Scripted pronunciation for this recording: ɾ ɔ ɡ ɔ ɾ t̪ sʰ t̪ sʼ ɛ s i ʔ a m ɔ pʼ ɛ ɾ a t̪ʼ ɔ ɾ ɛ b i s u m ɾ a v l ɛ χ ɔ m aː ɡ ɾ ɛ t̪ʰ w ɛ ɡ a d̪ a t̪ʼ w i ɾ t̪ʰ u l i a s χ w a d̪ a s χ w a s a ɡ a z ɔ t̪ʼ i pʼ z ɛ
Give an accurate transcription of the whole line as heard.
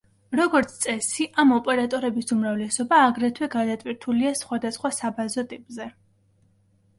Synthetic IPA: ɾ ɔ ɡ ɔ ɾ t̪ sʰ t̪ sʼ ɛ s i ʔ a m ɔ pʼ ɛ ɾ a t̪ʼ ɔ ɾ ɛ b i s u m ɾ a v l ɛ s ɔ b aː ɡ ɾ ɛ t̪ʰ w ɛ ɡ a d̪ a t̪ʼ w i ɾ t̪ʰ u l i a s χ w a d̪ a s χ w a s a b a z ɔ t̪ʼ i pʼ z ɛ